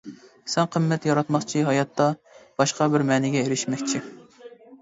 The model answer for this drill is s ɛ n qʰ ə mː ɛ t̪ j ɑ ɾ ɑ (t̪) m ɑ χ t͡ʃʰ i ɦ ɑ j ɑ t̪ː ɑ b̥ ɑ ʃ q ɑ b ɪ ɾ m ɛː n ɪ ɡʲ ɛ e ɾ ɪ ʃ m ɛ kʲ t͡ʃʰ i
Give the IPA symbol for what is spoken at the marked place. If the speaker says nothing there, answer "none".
t̪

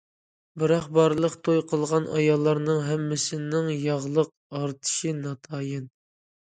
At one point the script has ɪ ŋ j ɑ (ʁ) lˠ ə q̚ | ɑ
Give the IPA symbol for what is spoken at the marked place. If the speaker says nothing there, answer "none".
ʁ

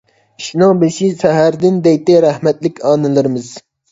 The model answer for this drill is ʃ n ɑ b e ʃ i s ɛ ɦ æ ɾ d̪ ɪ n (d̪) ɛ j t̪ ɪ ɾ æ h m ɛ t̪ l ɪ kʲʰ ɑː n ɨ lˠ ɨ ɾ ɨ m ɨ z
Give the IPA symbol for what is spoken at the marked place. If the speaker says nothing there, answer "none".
d̪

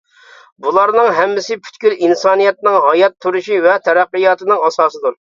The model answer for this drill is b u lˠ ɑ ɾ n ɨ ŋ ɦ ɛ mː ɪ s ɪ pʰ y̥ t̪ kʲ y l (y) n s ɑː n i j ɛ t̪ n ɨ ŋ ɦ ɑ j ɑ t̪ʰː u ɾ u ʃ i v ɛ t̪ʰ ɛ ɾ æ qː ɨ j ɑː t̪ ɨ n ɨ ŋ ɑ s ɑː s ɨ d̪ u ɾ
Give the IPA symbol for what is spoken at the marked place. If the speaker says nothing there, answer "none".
i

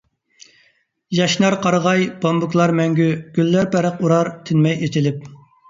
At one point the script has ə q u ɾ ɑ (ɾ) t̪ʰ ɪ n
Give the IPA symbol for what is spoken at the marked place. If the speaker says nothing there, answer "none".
ɾ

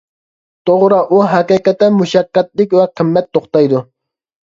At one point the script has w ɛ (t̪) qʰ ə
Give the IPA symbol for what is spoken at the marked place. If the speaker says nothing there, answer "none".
none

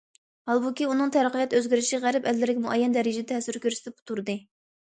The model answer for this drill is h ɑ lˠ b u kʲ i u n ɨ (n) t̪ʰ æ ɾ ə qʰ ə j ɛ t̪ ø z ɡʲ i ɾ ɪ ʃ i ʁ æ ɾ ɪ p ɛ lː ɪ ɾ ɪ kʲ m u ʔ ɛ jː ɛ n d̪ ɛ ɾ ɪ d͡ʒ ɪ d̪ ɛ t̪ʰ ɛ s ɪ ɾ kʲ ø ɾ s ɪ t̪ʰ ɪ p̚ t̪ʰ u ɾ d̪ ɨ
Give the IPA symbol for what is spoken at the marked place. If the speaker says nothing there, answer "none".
ŋ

